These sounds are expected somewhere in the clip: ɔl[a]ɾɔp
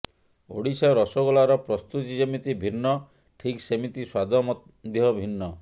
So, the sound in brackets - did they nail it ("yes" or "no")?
yes